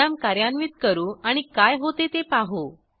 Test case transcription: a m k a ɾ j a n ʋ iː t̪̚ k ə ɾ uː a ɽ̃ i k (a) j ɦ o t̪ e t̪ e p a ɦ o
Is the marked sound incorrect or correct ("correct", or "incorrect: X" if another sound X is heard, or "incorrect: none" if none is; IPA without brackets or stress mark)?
correct